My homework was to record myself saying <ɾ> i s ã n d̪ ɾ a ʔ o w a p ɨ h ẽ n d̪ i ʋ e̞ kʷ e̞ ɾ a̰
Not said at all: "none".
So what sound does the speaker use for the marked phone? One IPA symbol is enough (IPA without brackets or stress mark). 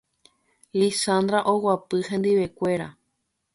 l